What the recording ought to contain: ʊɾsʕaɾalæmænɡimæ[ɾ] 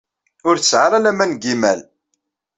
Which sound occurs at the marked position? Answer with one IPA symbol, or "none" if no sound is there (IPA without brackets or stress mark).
l